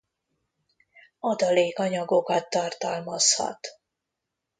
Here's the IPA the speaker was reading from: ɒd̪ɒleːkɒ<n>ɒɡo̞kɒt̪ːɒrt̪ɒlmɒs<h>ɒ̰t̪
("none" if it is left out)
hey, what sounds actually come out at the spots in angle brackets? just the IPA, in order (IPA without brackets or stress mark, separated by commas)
ɲ, h